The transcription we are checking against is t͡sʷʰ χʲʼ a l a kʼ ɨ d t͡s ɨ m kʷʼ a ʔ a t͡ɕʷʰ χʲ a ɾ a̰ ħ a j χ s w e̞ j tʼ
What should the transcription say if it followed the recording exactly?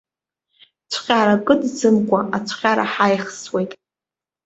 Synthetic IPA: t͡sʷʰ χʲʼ a ɾ a kʼ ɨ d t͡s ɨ m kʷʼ a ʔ a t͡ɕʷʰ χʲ a ɾ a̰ ħ a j χ s w e̞ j tʼ